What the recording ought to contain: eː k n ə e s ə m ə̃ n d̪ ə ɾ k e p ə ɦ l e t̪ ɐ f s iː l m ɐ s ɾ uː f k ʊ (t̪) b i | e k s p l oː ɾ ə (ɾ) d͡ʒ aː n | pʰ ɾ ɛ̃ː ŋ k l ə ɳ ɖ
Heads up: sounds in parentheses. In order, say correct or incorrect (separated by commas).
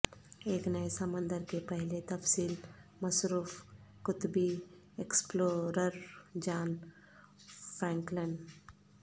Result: correct, correct